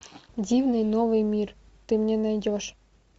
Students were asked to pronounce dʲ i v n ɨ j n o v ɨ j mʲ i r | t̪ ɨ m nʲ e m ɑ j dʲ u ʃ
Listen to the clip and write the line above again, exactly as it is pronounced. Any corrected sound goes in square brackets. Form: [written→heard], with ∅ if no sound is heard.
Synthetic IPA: dʲ i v n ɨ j n o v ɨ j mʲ i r | t̪ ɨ m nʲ e [m→n] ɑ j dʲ [u→o] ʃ